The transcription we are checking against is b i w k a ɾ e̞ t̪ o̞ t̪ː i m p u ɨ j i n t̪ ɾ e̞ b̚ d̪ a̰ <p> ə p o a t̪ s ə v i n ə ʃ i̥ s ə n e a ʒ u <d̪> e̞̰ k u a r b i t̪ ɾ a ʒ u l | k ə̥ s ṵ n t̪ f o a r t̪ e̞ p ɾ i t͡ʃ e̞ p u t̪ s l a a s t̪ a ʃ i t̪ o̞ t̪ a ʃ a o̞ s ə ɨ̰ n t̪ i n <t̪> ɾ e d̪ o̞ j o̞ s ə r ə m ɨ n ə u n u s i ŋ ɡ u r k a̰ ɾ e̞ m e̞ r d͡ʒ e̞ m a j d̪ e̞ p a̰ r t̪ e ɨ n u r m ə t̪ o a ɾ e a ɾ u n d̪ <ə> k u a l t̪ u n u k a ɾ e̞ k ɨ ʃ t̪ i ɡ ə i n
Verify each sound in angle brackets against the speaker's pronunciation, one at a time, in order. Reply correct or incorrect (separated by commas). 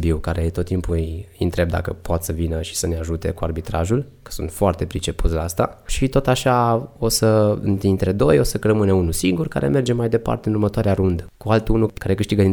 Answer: incorrect, incorrect, correct, correct